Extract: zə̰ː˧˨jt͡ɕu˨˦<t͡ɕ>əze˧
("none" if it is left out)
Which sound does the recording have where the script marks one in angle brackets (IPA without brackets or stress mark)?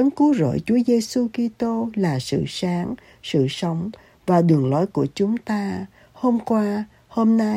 none